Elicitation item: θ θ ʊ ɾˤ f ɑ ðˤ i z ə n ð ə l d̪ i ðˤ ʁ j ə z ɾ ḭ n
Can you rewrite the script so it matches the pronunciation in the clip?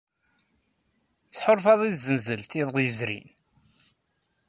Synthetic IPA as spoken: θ ħ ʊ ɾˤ f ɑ ðˤ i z ə n z ə l t̪ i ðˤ ʁ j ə z ɾ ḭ n